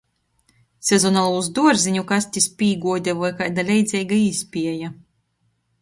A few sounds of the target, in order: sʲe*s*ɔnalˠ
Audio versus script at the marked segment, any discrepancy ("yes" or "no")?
yes